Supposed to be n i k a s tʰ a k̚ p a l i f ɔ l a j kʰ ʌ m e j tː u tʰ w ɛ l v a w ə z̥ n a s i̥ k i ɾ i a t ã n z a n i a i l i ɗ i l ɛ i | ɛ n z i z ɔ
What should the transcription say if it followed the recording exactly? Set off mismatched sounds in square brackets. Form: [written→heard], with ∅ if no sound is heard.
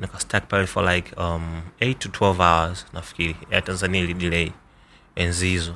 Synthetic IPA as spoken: n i k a s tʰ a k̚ p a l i f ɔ l a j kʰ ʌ m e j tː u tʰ w ɛ l v a w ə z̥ n a [s→f] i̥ k i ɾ i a t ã n z a n i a i l i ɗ i l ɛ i | ɛ n z i z ɔ